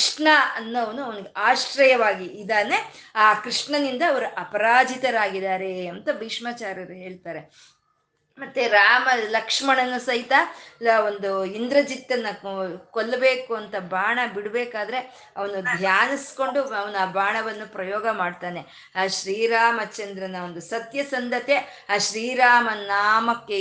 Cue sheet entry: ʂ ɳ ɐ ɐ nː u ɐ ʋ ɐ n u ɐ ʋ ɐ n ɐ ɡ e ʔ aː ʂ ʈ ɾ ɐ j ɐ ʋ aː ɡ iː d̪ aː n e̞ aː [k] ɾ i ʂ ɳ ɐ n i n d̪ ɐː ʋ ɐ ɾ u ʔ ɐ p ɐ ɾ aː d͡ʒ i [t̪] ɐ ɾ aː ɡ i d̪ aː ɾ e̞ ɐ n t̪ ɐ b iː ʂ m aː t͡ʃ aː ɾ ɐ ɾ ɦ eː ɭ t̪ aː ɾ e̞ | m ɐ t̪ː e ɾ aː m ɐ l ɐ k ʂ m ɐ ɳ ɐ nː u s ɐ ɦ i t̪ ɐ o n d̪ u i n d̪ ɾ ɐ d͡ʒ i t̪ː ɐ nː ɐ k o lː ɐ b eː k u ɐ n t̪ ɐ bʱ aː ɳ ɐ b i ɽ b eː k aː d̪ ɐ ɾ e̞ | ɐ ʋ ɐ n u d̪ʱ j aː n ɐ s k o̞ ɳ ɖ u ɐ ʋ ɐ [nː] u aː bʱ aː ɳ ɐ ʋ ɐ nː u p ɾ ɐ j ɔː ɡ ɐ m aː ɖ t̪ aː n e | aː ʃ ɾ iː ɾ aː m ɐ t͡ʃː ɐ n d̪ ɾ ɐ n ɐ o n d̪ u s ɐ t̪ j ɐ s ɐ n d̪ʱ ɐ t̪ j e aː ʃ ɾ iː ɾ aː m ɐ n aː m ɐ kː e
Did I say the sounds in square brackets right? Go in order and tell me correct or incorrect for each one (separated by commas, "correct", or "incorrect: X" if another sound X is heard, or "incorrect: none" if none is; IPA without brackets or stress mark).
correct, correct, incorrect: n